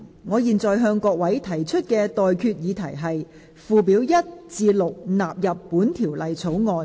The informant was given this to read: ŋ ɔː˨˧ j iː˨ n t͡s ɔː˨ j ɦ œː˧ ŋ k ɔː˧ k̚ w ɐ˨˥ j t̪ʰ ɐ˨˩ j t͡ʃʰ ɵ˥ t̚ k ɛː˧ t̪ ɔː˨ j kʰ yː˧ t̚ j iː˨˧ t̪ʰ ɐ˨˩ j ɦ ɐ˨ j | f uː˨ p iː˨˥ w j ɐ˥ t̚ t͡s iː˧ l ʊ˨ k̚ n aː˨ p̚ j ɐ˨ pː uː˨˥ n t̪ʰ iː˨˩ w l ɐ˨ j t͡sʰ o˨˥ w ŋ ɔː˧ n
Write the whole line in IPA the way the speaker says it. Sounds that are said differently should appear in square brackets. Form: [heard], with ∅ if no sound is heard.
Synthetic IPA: ŋ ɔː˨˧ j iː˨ n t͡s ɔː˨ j ɦ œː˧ ŋ k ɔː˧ k̚ w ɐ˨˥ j t̪ʰ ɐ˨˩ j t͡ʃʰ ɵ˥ t̚ k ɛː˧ t̪ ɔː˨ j kʰ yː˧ t̚ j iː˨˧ t̪ʰ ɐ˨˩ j ɦ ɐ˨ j | f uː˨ p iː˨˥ w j ɐ˥ t̚ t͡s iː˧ l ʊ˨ k̚ n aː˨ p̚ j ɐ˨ pː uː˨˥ n t̪ʰ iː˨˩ w l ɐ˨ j t͡sʰ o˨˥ w ŋ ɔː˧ n

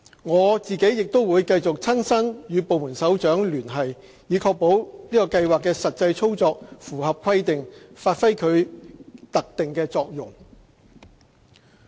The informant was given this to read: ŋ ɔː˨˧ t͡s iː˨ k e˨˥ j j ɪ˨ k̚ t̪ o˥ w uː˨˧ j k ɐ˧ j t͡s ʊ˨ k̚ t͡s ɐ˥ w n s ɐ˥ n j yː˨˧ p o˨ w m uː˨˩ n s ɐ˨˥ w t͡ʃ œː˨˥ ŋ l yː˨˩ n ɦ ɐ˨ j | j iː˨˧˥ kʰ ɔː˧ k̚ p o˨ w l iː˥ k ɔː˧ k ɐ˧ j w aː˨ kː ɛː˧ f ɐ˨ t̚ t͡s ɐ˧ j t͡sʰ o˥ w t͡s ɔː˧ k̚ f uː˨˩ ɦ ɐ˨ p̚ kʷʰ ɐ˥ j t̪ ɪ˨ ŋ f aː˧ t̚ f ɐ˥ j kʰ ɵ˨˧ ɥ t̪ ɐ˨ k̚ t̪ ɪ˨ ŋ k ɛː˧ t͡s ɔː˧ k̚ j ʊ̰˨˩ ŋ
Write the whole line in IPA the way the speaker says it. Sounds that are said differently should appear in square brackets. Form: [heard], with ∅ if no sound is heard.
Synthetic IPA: ŋ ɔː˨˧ t͡s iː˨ k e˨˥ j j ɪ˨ k̚ t̪ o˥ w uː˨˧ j k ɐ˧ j t͡s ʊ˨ k̚ [t͡sʰ] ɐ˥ [∅] n s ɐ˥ n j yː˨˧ p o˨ w m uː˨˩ n s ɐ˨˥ w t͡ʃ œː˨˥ ŋ l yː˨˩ n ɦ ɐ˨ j | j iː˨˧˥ kʰ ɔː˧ k̚ p [o˨˥] w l iː˥ k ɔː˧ k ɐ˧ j w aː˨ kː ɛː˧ [s] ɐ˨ t̚ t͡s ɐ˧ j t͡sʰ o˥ w t͡s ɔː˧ k̚ f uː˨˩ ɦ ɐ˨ p̚ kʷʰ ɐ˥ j t̪ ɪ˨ ŋ f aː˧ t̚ f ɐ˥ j kʰ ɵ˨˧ ɥ t̪ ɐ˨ k̚ t̪ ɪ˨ ŋ k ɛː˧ t͡s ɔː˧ k̚ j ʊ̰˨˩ ŋ

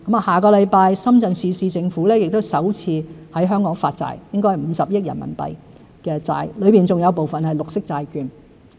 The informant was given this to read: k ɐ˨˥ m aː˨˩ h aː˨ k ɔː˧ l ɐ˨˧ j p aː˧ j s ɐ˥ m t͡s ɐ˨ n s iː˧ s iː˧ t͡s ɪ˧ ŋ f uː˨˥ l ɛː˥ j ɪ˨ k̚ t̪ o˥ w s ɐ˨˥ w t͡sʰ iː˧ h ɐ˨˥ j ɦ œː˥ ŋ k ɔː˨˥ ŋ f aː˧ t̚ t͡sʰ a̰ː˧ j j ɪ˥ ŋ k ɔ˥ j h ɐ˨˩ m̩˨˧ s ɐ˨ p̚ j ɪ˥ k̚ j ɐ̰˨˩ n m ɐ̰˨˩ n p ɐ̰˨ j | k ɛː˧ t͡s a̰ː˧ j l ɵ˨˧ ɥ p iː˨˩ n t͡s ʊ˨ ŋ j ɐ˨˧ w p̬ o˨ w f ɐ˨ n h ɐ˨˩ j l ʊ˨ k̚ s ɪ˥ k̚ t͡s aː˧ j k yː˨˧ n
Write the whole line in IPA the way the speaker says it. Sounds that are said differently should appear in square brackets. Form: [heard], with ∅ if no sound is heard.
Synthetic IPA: k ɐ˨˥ m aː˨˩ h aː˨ k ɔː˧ l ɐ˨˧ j p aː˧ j s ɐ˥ m t͡s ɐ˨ n s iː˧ s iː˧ t͡s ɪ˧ ŋ f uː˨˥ l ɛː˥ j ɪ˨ k̚ t̪ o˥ w s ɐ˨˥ w t͡sʰ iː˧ h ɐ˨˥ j ɦ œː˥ ŋ k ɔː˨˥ ŋ f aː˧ t̚ [t͡s] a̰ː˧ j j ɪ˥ ŋ k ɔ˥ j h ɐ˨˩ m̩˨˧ s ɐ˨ p̚ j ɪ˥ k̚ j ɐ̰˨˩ n m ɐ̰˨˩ n p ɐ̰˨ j | k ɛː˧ t͡s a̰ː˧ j l ɵ˨˧ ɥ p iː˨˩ n t͡s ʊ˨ ŋ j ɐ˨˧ w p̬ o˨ w f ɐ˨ n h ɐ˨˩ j l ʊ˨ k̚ s ɪ˥ k̚ t͡s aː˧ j k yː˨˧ n

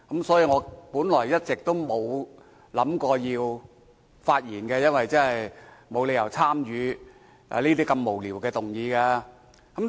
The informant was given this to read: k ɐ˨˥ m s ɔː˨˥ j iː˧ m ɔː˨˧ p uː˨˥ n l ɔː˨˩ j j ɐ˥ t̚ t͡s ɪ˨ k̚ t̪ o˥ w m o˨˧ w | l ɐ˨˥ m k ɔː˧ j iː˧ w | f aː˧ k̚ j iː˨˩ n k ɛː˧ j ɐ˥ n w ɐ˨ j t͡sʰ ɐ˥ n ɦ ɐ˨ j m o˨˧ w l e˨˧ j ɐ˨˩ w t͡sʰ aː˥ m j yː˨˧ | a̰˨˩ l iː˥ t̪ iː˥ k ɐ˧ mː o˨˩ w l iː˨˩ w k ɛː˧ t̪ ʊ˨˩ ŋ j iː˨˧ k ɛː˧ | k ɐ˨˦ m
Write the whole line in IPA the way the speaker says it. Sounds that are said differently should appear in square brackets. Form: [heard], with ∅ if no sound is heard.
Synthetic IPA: k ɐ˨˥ m s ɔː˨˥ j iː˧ [ŋ] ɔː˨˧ p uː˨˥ n l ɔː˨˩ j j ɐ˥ t̚ t͡s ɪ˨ k̚ t̪ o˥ w m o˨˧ w | l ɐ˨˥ m k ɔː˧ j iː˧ w | f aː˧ [t̚] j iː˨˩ n k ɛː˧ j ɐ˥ n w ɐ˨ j [t͡s] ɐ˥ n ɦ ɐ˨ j m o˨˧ w l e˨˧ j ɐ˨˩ w t͡sʰ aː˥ m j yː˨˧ | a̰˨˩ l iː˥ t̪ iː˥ k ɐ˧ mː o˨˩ w l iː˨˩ w k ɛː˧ t̪ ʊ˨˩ ŋ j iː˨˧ k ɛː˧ | k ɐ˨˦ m

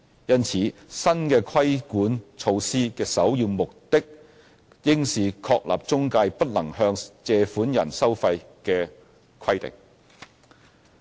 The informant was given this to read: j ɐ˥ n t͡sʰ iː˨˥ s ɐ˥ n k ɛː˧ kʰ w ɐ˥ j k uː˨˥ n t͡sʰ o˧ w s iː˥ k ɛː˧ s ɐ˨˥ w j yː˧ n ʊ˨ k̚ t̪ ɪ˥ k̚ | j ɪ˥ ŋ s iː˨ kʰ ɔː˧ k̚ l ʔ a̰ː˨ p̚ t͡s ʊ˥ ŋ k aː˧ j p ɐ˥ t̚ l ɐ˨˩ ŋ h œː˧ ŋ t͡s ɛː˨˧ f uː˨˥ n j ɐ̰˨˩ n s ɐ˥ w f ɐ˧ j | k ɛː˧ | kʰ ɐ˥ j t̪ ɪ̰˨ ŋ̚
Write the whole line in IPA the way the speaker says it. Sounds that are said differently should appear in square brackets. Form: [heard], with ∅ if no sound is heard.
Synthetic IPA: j ɐ˥ n t͡sʰ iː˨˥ s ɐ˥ n k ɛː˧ kʰ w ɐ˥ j k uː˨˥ n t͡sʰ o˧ w s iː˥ k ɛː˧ s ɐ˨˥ w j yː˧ [m] ʊ˨ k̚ t̪ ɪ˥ k̚ | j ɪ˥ ŋ s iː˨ kʰ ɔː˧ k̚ l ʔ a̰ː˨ p̚ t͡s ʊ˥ ŋ k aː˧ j p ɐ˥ t̚ l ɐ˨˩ ŋ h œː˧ ŋ t͡s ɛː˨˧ f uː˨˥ n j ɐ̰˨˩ n s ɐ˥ w f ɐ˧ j | k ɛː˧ | kʰ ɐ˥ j t̪ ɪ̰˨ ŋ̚

